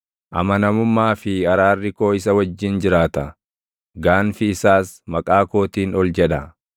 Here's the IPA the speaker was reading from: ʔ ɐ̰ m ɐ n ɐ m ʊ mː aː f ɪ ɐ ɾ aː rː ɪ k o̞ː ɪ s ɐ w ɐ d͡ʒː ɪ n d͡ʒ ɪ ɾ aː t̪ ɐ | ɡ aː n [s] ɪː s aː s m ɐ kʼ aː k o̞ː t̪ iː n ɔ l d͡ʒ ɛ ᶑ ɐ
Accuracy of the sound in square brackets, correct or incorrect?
incorrect